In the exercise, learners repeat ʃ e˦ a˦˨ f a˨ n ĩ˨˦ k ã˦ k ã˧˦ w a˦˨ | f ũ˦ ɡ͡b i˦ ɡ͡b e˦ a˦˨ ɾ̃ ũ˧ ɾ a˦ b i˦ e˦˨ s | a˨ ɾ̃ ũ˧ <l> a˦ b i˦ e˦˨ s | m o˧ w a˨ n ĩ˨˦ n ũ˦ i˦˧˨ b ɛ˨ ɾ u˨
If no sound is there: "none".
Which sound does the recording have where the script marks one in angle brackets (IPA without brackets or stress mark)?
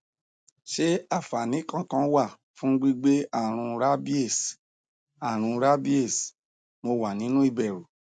ɾ